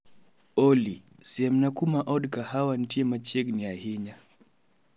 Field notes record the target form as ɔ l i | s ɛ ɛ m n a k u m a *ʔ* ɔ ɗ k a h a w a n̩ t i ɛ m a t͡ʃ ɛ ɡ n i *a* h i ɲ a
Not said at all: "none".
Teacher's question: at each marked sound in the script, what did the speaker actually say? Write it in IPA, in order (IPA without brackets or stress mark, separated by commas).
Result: ʔ, a